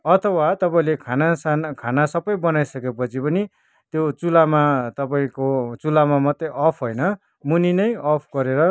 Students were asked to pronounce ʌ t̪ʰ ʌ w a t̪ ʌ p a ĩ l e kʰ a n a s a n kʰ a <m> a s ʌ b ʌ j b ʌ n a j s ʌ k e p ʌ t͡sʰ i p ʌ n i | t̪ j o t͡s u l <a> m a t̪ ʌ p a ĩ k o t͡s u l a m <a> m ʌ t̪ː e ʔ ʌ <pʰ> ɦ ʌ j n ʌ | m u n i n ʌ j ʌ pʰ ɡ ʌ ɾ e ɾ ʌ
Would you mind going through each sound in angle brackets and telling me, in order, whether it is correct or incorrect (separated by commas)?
incorrect, correct, correct, correct